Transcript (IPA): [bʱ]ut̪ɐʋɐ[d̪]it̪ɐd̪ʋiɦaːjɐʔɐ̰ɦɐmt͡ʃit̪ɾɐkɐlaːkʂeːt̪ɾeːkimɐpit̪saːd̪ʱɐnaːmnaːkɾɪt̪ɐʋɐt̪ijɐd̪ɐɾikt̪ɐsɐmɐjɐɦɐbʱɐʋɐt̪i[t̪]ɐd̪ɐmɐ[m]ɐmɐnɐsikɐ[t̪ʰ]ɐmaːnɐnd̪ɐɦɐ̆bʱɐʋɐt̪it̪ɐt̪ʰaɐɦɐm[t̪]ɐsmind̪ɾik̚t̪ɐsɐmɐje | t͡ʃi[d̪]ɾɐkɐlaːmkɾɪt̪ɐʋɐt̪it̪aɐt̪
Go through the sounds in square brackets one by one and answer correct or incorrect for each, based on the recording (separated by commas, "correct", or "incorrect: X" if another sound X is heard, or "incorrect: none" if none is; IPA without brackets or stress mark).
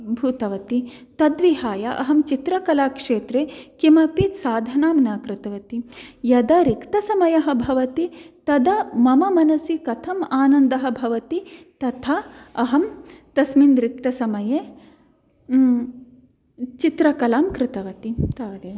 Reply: correct, incorrect: t̪, correct, correct, correct, correct, incorrect: t̪